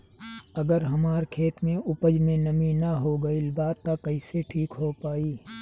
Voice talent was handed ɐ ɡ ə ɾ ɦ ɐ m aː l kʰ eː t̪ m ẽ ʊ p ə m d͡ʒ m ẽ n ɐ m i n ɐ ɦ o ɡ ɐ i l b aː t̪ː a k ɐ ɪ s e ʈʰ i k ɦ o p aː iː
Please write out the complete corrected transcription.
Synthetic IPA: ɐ ɡ ə ɾ ɦ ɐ m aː ɾ kʰ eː t̪ m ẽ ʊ p ə d͡ʒ m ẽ n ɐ m i n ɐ ɦ o ɡ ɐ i l b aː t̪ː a k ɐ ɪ s e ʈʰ iː k ɦ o p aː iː